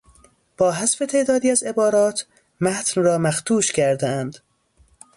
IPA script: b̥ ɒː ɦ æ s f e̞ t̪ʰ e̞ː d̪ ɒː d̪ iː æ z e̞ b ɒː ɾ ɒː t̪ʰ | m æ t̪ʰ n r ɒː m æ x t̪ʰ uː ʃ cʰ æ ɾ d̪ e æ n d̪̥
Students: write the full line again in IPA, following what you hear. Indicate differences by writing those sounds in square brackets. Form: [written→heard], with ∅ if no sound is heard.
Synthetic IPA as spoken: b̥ ɒː ɦ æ s f e̞ t̪ʰ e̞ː d̪ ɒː d̪ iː æ z e̞ b ɒː ɾ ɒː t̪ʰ | m æ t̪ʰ n r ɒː m æ x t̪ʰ uː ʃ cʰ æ ɾ d̪ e æ n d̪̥

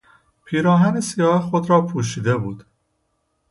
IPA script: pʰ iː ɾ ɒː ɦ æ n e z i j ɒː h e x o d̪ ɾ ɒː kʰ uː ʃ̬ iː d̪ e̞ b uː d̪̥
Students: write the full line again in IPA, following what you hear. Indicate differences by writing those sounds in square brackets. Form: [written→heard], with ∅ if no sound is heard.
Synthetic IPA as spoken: pʰ iː ɾ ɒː ɦ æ n e [z→s] i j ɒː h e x o d̪ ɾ ɒː [kʰ→pʰ] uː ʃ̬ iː d̪ e̞ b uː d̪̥

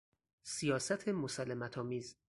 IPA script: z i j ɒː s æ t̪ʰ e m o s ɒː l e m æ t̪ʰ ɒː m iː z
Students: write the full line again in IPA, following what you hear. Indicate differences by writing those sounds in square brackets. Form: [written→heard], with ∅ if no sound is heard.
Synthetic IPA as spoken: [z→s] i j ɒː s æ t̪ʰ e m o s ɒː l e m æ t̪ʰ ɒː m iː z

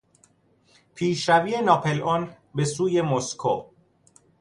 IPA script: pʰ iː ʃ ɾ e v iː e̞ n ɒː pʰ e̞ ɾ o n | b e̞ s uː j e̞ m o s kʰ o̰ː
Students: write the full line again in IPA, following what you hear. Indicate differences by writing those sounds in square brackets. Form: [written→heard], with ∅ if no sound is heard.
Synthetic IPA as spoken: pʰ iː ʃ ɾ [e→æ] v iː e̞ n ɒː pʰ e̞ [ɾ→l] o n | b e̞ s uː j e̞ m o s kʰ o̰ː

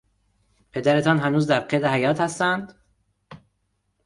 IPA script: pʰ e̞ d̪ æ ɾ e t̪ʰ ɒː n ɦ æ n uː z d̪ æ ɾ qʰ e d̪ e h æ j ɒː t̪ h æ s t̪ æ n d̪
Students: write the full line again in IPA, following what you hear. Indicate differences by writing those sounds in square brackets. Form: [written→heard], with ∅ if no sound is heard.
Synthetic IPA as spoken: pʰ e̞ d̪ æ ɾ e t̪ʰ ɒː n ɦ æ n uː z d̪ æ ɾ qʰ e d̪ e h æ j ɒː t̪ h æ s t̪ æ n d̪

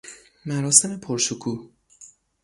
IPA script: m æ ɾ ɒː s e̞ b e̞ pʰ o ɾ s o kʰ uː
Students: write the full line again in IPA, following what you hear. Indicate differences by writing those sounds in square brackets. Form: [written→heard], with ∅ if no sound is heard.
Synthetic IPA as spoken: m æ ɾ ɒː s e̞ [b→m] e̞ pʰ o ɾ [s→ʃ] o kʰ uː

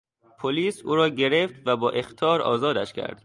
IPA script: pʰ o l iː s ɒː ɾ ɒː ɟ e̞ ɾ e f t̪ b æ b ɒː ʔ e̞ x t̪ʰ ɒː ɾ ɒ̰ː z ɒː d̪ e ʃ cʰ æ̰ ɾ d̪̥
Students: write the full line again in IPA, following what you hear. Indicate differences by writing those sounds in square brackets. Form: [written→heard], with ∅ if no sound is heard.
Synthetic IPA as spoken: pʰ o l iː s [ɒː→uː] ɾ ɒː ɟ e̞ ɾ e f t̪ [b→v] æ b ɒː ʔ e̞ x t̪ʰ ɒː ɾ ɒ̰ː z ɒː d̪ [e→æ] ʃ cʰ æ̰ ɾ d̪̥

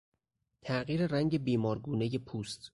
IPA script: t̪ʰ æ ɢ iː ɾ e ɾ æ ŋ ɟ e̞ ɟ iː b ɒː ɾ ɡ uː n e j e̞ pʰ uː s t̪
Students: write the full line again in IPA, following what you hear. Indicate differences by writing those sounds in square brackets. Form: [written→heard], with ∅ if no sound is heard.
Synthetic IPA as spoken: t̪ʰ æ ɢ iː ɾ e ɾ æ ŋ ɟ e̞ [ɟ→b] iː [b→m] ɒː ɾ ɡ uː n e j e̞ pʰ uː s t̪

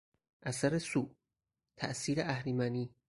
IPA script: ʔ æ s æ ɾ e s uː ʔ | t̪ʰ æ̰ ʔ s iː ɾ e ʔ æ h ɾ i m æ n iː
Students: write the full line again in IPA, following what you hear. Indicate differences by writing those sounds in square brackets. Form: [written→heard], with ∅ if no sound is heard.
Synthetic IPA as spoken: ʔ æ s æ ɾ e s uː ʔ | t̪ʰ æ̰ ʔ s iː ɾ e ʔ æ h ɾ i m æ n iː

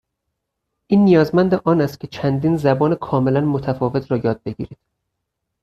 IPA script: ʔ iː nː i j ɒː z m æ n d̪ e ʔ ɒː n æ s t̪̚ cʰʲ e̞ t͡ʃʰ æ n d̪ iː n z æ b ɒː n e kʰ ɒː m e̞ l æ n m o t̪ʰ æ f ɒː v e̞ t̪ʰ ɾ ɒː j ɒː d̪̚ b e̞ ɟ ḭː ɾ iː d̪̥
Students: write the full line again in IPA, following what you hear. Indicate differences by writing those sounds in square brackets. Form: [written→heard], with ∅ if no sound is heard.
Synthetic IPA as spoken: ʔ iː nː i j ɒː z m æ n d̪ e ʔ ɒː n æ s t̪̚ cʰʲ e̞ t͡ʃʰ æ n d̪ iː n z æ b ɒː n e kʰ ɒː m e̞ l æ n m o t̪ʰ æ f ɒː v e̞ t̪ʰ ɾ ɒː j ɒː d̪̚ b e̞ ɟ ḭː ɾ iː d̪̥

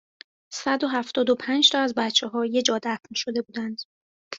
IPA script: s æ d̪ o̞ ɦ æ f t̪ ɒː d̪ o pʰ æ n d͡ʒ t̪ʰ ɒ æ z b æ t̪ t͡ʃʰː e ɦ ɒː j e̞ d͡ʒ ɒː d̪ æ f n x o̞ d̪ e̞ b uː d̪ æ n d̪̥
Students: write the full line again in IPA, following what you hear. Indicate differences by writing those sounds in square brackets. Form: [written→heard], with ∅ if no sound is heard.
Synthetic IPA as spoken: s æ d̪ o̞ ɦ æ f t̪ ɒː d̪ o pʰ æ n d͡ʒ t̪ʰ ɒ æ z b æ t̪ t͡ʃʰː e ɦ ɒː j e̞ d͡ʒ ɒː d̪ æ f n [x→ʃ] o̞ d̪ e̞ b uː d̪ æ n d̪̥

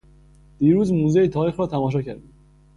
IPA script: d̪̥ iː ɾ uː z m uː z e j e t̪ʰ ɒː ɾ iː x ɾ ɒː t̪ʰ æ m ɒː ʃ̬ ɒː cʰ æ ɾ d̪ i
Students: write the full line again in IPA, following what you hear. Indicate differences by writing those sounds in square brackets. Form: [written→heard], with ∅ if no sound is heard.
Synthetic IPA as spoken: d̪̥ iː ɾ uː z m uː z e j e t̪ʰ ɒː ɾ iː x ɾ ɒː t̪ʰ æ m ɒː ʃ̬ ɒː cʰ æ ɾ d̪ i

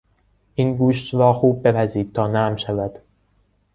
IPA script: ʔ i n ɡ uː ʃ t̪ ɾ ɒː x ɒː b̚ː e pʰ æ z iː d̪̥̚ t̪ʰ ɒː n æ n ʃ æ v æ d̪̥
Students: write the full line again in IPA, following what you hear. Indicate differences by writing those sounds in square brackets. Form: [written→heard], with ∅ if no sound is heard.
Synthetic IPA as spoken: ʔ i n ɡ uː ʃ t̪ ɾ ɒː x [ɒː→uː] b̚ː e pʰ æ z iː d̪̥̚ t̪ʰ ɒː n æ [n→m] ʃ æ v æ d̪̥

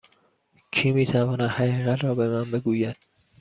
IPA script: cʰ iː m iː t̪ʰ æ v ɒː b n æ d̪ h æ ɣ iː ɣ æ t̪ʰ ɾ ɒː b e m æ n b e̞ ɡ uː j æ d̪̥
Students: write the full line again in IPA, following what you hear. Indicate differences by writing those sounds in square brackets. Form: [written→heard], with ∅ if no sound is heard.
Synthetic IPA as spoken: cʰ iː m iː t̪ʰ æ v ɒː [b→∅] n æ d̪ h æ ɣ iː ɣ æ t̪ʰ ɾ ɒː b e m æ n b e̞ ɡ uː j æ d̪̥

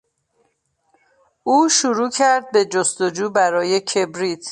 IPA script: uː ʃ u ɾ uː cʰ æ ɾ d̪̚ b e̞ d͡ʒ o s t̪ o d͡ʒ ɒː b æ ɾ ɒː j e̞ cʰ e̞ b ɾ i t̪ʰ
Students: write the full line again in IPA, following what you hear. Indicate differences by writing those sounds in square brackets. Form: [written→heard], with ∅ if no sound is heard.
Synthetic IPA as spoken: uː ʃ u ɾ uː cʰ æ ɾ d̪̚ b e̞ d͡ʒ o s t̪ o d͡ʒ [ɒː→uː] b æ ɾ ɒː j e̞ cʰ e̞ b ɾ i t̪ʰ

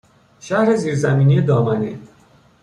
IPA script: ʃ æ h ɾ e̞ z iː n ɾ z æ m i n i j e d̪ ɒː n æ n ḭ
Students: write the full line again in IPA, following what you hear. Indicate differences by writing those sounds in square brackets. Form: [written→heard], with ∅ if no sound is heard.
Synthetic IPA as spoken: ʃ æ h ɾ e̞ z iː [n→∅] ɾ z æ m [i→iː] n i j e d̪ ɒː [n→m] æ n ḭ

